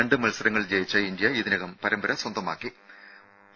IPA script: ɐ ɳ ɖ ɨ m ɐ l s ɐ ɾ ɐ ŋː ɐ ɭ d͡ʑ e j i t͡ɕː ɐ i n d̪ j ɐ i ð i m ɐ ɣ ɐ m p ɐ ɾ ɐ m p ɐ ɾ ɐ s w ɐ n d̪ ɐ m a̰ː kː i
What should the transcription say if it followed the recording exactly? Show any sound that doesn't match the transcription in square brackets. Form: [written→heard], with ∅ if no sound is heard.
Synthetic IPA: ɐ ɳ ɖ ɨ m ɐ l s ɐ ɾ ɐ ŋː ɐ ɭ d͡ʑ e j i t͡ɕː ɐ i n d̪ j ɐ i ð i [m→n] ɐ ɣ ɐ m p ɐ ɾ ɐ m [p→b] ɐ ɾ ɐ s w ɐ n d̪ ɐ m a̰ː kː i

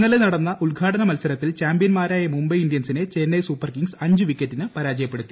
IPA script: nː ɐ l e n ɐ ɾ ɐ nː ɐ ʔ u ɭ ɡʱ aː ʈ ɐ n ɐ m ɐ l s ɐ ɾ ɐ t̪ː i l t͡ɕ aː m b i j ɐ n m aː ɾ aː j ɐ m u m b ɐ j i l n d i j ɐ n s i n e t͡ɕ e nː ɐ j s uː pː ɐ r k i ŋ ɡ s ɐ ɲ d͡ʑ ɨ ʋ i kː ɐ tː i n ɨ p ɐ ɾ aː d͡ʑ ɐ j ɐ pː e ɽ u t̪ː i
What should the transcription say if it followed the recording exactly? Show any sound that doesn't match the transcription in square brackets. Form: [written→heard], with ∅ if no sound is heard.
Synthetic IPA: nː ɐ l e n ɐ [ɾ→ɽ] ɐ nː ɐ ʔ u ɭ ɡʱ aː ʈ ɐ n ɐ m ɐ l s ɐ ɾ ɐ t̪ː i l t͡ɕ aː m b i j ɐ n m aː ɾ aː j ɐ m u m b ɐ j i [l→∅] n d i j ɐ n s i n e t͡ɕ e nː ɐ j s uː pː ɐ r k i ŋ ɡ s ɐ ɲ d͡ʑ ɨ ʋ i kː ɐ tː i n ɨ p ɐ ɾ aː d͡ʑ ɐ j ɐ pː e ɽ u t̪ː i

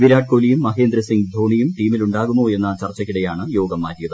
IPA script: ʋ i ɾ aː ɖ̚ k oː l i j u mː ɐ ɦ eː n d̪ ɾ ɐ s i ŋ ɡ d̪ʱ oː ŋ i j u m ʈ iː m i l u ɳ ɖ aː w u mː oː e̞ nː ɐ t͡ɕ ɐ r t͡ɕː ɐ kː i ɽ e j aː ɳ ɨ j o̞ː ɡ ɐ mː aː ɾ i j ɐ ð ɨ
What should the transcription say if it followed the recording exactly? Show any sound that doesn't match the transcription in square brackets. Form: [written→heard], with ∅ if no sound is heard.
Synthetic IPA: ʋ i ɾ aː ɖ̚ k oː l i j u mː ɐ ɦ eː n d̪ ɾ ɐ s i ŋ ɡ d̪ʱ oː [ŋ→ɳ] i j u m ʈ iː m i l u ɳ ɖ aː [w→ɣ] u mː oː e̞ nː ɐ t͡ɕ ɐ r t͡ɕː ɐ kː i ɽ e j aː ɳ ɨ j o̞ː ɡ ɐ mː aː ɾ i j ɐ ð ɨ

